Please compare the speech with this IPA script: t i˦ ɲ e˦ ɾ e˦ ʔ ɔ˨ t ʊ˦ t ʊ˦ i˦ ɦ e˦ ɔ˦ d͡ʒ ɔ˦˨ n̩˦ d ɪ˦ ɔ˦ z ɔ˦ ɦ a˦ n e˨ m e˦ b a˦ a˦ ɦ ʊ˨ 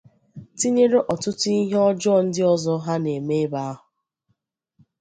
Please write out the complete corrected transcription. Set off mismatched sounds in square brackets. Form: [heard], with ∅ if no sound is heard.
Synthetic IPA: t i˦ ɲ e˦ ɾ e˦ ʔ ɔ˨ t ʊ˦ t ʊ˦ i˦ ɦ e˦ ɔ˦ d͡ʒ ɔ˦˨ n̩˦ d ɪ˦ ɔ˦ z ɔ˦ ɦ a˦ n e˨ m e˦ b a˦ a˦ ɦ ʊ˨